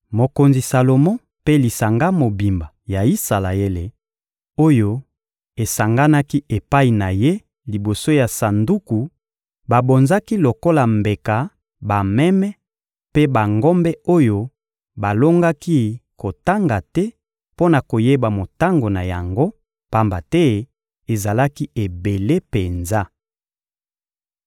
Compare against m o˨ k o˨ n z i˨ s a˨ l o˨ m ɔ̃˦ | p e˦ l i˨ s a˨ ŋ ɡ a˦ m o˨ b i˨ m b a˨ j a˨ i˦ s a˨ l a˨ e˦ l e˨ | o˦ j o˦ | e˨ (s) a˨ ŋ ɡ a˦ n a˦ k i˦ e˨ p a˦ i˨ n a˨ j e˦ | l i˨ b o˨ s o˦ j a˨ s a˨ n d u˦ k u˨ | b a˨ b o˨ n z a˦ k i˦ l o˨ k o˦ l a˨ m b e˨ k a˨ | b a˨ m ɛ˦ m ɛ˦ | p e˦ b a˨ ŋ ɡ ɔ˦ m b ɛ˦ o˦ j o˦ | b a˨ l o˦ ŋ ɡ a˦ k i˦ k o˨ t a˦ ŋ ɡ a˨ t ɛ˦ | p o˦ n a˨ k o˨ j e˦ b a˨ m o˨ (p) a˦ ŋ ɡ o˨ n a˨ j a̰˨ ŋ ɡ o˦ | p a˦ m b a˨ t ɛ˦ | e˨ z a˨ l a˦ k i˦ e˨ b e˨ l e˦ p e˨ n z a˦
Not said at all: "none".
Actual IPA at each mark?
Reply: s, t

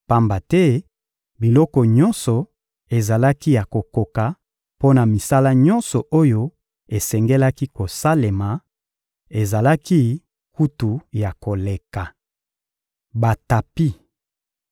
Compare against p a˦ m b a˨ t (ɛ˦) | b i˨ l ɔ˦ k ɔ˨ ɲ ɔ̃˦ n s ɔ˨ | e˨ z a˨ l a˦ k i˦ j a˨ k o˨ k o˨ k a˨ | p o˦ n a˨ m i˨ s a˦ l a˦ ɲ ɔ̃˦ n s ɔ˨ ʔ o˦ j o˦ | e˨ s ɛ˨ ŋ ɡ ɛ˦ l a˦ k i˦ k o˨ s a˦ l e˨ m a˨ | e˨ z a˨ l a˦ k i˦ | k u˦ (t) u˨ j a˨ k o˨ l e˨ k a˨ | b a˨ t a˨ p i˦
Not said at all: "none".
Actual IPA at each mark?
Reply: ɛ˦, t

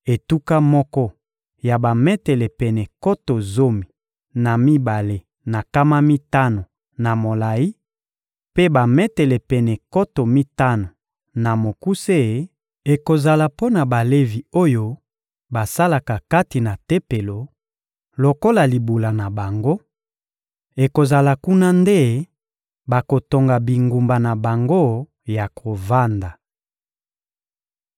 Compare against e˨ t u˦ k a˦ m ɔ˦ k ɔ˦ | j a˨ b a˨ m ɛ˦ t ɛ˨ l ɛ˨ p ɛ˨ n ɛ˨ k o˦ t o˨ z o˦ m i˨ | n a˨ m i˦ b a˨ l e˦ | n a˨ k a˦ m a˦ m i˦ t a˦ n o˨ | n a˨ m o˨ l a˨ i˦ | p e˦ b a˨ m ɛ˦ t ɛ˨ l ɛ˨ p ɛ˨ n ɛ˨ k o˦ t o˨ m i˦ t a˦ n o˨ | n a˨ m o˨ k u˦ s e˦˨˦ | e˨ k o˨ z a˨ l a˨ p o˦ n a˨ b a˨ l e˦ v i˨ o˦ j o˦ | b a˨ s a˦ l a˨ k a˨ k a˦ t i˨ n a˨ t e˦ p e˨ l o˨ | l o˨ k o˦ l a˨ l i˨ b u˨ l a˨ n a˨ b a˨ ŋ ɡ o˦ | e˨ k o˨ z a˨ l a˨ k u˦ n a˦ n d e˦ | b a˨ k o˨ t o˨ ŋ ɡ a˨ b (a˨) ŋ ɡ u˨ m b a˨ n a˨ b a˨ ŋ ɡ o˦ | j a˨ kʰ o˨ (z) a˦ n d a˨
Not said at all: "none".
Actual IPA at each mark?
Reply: i˨, v

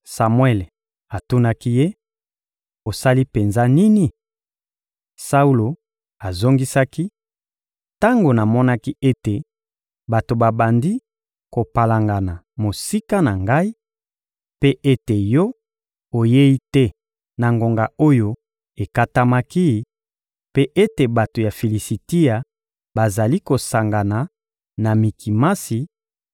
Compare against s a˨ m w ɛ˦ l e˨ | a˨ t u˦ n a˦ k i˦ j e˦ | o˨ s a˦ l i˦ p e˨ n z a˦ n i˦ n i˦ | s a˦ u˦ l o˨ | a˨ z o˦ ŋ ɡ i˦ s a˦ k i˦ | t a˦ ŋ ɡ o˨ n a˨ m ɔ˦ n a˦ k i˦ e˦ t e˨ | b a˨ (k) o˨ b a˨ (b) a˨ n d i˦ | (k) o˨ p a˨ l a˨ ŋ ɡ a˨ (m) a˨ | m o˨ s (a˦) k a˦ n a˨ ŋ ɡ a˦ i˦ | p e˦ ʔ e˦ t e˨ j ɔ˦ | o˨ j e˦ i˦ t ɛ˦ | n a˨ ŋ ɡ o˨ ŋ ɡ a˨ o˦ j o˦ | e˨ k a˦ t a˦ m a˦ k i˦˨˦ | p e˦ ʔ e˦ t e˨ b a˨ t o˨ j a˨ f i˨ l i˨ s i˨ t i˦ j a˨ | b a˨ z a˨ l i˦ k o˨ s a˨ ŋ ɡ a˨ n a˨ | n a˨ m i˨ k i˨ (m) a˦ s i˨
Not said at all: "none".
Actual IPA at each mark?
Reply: t, b, k, n, i˦, m

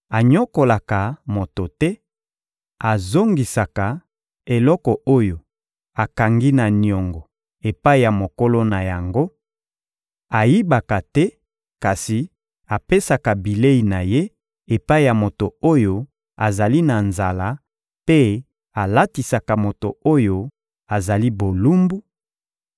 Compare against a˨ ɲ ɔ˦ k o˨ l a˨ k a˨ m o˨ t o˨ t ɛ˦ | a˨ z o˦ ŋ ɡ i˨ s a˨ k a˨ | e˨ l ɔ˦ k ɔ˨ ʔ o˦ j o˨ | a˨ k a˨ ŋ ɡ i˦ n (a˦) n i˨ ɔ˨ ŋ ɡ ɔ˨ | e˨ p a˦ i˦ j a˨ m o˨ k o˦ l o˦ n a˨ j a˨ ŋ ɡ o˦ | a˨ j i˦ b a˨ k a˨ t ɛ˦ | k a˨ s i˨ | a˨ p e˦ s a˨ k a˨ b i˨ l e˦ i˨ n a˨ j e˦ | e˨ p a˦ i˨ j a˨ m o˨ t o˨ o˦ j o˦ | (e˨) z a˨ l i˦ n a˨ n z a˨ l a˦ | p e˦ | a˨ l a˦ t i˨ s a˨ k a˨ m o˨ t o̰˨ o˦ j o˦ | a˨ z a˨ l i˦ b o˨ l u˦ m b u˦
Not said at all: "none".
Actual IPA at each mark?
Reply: a˨, a˨

